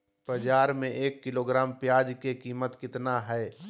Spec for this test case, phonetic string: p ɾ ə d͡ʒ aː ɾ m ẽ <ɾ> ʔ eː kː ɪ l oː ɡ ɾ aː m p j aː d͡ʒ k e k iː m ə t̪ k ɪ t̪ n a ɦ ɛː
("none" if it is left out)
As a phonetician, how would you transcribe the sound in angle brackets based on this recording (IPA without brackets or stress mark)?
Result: none